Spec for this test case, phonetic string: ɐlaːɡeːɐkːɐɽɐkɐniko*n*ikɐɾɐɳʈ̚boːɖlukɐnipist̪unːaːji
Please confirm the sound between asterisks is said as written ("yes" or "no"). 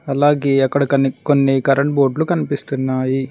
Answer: no